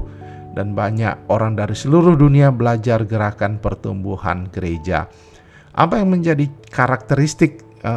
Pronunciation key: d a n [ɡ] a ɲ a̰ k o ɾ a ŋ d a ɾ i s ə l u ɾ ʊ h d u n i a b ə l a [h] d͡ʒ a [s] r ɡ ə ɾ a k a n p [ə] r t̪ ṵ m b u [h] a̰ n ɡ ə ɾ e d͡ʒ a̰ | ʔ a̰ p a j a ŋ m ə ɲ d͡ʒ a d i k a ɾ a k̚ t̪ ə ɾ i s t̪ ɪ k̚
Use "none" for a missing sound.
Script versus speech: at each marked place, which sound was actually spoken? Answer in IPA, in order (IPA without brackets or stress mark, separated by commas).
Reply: b, none, none, ə, h